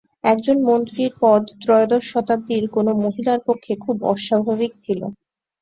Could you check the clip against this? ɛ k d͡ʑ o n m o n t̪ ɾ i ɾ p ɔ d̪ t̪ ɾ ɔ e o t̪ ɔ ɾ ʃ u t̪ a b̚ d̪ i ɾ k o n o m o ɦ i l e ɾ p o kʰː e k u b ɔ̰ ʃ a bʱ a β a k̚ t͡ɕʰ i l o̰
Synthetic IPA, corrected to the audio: ɛ k d͡ʑ o n m o n t̪ ɾ i ɾ p ɔ d̪ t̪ ɾ ɔ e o d̪ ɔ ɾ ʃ ɔ t̪ a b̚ d̪ i ɾ k o n o m o ɦ i l a ɾ p o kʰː e kʰ u b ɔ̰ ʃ a bʱ a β i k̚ t͡ɕʰ i l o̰